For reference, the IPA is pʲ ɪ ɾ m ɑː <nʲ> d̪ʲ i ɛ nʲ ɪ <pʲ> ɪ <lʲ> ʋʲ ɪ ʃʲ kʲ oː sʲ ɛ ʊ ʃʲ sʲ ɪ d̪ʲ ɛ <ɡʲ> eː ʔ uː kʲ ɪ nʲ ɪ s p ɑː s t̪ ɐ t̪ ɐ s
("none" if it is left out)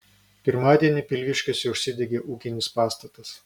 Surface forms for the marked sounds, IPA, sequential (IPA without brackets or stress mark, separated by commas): none, pʲ, lʲ, ɡʲ